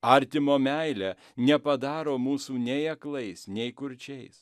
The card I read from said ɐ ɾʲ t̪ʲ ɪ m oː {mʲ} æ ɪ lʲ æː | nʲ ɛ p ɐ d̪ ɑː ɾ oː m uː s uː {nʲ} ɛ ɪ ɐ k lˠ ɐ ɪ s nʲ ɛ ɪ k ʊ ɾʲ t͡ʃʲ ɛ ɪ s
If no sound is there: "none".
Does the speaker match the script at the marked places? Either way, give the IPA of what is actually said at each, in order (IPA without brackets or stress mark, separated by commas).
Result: mʲ, nʲ